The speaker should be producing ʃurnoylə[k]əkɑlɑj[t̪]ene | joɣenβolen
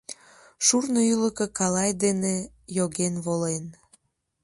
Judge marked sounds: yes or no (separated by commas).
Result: yes, no